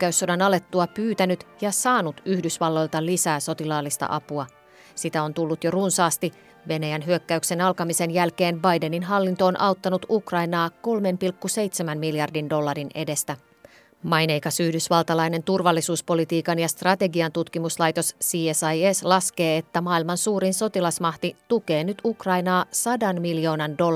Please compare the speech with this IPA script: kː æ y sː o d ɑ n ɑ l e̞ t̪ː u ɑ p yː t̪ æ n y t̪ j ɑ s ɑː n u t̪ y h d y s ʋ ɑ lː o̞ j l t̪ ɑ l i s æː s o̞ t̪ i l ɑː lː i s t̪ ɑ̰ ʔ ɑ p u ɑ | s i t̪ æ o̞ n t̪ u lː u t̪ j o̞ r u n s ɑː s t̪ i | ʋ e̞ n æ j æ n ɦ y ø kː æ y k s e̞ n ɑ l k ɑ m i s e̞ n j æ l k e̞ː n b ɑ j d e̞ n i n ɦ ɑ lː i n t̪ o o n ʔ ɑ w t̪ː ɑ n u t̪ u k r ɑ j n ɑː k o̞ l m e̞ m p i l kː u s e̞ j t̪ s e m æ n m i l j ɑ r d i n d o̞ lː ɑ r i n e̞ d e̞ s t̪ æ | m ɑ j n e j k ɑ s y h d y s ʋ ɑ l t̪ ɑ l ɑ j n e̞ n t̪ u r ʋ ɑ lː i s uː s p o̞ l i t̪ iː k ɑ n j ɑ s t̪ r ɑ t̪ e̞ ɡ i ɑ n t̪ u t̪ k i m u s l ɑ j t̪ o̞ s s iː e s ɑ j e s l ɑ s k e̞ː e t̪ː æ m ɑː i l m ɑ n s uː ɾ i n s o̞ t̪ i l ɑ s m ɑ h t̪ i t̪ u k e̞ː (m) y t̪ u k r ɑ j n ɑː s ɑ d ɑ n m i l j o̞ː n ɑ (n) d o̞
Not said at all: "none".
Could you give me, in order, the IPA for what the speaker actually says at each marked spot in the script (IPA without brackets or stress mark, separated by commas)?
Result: n, n